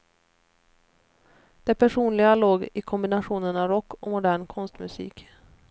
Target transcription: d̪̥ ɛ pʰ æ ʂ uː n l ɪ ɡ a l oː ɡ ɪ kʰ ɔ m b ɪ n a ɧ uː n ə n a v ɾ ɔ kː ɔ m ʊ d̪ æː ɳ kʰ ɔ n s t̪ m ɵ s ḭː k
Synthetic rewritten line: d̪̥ ɛ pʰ æ ʂ uː n l ɪ ɡ a l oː ɡ ɪ kʰ ɔ m b ɪ n a ɧ uː n ə n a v ɾ ɔ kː ɔ m ʊ d̪ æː ɳ kʰ ɔ n s t̪ m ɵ s ḭː k